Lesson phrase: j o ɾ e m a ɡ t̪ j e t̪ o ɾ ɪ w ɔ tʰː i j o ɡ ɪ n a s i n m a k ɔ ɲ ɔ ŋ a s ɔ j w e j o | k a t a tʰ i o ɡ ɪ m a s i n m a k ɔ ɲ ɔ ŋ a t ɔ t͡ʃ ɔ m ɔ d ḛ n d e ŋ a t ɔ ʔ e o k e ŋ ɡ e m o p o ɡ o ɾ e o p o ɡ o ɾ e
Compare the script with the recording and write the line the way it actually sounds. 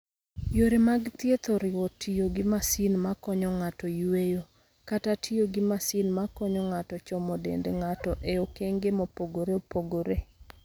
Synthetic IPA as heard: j o ɾ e m a ɡ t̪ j e t̪ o ɾ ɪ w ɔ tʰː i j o ɡ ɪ m a s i n m a k ɔ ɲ ɔ ŋ a t ɔ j w e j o | k a t a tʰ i o ɡ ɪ m a s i n m a k ɔ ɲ ɔ ŋ a t ɔ t͡ʃ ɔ m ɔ d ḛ n d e ŋ a t ɔ ʔ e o k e ŋ ɡ e m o p o ɡ o ɾ e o p o ɡ o ɾ e